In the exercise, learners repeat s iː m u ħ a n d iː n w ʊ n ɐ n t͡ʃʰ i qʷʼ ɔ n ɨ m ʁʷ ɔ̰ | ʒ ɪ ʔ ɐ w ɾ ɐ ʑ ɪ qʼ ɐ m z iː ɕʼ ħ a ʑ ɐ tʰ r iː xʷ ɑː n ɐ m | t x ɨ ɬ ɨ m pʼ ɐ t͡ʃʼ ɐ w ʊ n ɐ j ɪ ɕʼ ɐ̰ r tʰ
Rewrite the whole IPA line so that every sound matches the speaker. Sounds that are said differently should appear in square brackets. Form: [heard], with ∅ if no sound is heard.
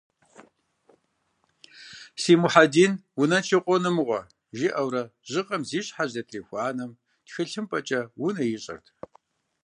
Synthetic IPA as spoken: s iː m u ħ a [∅] d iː n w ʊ n ɐ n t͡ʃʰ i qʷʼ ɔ n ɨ m ʁʷ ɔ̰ | ʒ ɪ ʔ ɐ w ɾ ɐ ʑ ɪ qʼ ɐ m z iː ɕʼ ħ a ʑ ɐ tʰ r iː xʷ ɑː n ɐ m | t x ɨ ɬ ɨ m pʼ ɐ t͡ʃʼ ɐ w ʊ n ɐ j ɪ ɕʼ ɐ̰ r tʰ